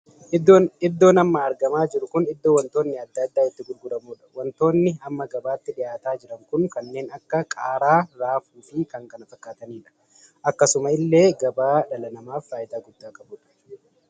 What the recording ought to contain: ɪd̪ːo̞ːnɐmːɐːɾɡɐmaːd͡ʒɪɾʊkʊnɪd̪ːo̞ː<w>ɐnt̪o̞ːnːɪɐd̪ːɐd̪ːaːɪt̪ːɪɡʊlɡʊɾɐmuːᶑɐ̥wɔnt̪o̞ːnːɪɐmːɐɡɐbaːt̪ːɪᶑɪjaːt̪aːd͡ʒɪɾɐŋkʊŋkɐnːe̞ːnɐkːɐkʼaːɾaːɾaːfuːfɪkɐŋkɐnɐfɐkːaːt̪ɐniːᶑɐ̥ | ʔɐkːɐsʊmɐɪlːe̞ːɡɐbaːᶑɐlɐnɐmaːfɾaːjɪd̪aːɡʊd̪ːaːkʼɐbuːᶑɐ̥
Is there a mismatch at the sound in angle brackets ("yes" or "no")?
no